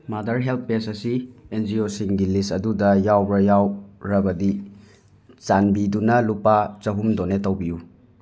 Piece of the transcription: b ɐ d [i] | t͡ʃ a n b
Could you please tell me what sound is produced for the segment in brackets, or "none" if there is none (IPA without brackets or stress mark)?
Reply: i